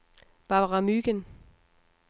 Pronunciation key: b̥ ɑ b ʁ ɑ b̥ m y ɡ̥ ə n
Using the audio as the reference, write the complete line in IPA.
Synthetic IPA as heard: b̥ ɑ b ʁ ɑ m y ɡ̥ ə n